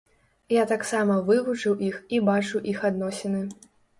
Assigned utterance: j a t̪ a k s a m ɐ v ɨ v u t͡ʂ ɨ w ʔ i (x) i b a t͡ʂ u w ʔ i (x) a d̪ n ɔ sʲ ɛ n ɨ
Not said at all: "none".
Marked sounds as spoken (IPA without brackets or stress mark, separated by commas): x, x